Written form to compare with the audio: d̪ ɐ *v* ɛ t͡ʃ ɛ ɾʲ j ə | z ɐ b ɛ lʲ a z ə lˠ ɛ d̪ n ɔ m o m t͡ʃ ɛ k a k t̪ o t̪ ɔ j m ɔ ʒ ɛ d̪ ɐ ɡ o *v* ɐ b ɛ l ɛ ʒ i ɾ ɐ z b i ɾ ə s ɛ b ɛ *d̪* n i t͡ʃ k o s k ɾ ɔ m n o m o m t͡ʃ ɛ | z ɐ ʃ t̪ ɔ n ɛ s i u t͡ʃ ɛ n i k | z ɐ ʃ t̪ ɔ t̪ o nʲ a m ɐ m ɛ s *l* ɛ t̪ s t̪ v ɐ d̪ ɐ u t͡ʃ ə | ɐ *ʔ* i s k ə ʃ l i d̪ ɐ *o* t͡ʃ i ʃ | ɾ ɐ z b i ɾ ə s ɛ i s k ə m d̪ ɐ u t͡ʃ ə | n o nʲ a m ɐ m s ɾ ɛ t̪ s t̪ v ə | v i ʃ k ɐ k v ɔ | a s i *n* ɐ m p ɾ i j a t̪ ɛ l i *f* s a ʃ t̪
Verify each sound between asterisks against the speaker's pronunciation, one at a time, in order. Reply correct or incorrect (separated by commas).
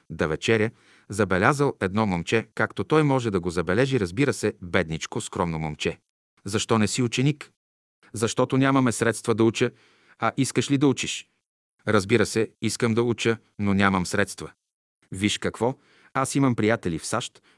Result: correct, incorrect, correct, incorrect, correct, incorrect, incorrect, correct